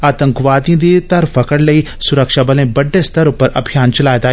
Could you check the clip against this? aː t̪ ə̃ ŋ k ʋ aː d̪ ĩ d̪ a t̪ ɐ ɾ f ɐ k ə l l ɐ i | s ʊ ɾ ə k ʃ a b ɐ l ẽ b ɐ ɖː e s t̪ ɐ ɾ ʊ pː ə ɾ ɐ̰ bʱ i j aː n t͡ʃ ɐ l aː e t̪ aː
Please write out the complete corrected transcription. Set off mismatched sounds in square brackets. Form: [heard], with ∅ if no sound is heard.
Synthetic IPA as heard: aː t̪ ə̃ ŋ k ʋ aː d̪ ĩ d̪ [i] t̪ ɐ ɾ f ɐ k ə [ɽ] l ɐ i | s ʊ ɾ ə k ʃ a b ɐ l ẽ b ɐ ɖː e s t̪ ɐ ɾ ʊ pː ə ɾ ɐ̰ bʱ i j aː n t͡ʃ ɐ l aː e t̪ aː